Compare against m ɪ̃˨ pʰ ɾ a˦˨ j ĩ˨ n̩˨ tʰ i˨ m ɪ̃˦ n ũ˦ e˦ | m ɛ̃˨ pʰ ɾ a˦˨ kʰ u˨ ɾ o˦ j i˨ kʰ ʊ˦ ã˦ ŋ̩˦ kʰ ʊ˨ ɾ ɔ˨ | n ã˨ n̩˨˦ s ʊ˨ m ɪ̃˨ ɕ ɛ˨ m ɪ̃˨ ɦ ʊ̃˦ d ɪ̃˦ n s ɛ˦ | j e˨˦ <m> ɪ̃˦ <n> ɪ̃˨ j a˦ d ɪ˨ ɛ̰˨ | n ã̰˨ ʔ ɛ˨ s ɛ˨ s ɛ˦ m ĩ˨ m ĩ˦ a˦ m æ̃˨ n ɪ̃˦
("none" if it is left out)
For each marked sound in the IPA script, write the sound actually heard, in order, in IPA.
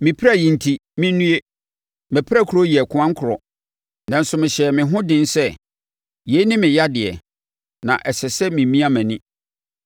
n, m

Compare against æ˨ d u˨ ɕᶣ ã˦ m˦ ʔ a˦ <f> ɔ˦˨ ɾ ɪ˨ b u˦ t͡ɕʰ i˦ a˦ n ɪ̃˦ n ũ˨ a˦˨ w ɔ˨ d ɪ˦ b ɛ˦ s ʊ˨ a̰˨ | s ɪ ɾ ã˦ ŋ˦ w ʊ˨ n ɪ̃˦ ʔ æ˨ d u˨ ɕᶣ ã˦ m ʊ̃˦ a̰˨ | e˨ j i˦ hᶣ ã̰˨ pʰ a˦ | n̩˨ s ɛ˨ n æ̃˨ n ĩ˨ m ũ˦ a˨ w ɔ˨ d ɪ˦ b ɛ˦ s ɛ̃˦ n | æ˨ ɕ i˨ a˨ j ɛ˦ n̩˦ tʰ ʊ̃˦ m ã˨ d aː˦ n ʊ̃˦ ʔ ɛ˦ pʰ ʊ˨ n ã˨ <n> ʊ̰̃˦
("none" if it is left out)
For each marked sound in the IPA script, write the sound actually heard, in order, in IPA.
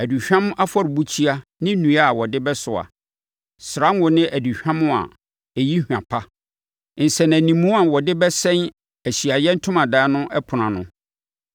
f, n

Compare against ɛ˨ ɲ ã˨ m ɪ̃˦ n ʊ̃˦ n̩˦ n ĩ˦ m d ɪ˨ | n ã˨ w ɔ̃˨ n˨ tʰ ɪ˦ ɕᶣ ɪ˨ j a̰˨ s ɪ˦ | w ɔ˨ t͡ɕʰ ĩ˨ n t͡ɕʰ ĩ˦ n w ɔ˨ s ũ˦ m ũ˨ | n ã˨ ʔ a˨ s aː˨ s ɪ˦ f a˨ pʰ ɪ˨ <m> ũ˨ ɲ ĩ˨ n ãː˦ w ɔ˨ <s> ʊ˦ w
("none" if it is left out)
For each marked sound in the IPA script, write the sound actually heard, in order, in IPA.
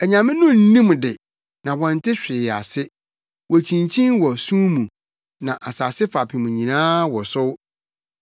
m, s

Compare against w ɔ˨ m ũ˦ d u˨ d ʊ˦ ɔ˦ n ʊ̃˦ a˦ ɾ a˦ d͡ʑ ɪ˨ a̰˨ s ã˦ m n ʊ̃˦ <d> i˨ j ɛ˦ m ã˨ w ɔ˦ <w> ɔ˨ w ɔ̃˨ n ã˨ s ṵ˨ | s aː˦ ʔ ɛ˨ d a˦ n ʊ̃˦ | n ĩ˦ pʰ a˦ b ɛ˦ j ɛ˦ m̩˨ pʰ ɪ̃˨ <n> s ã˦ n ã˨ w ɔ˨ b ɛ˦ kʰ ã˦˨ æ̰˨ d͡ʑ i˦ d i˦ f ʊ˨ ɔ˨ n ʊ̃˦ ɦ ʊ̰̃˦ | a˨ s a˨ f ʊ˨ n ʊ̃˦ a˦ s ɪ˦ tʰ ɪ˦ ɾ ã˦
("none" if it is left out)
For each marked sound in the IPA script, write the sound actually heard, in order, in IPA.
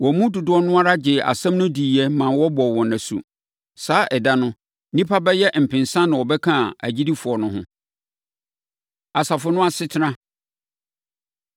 d, b, n

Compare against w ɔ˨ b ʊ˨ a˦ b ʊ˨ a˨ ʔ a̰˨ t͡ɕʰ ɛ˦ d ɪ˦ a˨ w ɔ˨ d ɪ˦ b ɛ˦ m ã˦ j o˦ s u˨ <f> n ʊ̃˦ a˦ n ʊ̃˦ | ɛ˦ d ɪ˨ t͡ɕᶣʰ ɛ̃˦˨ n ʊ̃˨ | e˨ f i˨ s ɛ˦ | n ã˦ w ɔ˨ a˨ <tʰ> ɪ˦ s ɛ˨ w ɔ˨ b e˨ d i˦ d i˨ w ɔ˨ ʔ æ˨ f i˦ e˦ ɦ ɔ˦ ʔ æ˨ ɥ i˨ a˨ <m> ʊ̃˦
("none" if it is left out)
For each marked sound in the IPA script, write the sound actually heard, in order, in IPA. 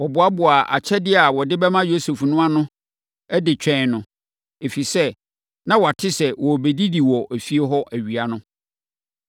f, tʰ, n

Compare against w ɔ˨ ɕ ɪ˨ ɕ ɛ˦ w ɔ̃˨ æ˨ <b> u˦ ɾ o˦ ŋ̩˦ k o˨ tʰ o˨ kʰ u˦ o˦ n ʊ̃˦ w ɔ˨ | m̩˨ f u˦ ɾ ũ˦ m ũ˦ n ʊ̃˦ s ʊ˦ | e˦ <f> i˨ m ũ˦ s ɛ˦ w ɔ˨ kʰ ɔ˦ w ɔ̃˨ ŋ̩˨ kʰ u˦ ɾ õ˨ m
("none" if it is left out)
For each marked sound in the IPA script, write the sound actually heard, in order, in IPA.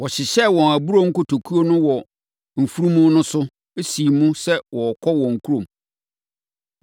b, s

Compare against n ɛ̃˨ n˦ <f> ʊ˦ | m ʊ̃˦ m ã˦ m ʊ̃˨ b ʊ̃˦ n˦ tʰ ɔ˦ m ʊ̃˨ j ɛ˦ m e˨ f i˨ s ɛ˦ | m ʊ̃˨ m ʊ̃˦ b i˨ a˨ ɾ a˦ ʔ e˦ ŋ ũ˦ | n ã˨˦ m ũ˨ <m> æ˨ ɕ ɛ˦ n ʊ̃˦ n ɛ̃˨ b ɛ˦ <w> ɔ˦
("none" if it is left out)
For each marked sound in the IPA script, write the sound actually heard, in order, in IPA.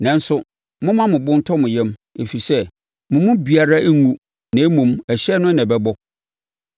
s, m, b

